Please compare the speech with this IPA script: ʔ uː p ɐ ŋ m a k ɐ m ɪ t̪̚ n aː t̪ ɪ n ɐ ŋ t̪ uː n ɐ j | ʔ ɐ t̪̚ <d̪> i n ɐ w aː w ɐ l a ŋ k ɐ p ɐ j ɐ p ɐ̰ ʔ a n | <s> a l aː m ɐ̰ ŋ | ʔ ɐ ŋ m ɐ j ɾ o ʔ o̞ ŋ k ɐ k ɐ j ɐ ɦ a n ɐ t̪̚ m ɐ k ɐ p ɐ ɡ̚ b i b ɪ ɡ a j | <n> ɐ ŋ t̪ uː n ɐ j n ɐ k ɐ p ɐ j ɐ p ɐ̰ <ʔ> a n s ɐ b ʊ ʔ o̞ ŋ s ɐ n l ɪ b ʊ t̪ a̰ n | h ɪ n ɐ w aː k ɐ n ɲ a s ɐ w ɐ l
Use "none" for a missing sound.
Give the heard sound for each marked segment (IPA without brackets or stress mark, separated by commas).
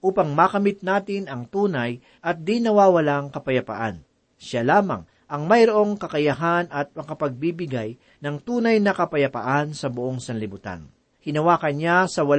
d̪, ʃ, n, ʔ